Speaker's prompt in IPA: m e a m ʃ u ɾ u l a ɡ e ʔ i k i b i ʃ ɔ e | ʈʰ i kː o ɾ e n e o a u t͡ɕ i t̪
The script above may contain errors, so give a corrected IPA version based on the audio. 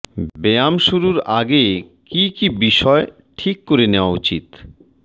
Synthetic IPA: b e a m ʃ u ɾ u ɾ a ɡ e k i k i b i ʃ ɔ e | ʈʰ i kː o ɾ e n e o a u t͡ɕ i t̪